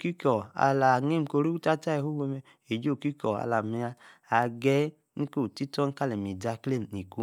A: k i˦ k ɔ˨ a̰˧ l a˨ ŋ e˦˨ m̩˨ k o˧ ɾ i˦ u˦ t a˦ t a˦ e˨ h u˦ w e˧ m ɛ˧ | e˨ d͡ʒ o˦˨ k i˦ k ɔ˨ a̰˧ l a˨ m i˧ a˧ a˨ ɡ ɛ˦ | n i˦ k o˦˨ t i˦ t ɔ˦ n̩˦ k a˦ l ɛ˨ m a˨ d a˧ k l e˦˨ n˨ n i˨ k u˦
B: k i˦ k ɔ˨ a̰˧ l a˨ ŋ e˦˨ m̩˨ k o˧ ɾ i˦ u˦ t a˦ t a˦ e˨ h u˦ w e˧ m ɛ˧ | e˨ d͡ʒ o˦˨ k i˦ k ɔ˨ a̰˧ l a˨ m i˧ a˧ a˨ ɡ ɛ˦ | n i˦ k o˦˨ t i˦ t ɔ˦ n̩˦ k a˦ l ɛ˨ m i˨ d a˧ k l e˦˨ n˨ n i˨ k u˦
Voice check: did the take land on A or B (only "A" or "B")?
B